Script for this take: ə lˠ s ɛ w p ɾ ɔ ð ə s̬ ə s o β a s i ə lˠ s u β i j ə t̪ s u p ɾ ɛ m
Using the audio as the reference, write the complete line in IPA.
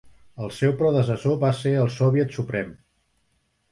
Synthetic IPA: ə lˠ s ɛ w p ɾ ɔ ð ə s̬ ə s o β a s e ə lˠ s ɔ β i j ə t̪ s u p ɾ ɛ m